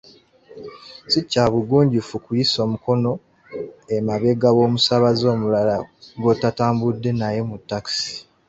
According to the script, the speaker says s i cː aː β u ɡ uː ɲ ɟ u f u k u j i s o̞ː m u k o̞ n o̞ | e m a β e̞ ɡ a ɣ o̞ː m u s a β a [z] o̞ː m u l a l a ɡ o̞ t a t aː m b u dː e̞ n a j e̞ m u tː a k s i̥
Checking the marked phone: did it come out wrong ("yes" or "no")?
no